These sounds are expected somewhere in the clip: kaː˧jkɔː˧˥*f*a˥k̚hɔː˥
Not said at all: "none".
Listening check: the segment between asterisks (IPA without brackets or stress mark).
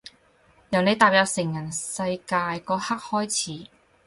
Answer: h